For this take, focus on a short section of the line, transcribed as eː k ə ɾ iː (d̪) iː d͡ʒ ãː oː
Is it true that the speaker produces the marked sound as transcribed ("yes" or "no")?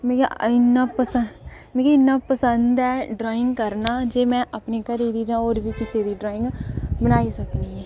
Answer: yes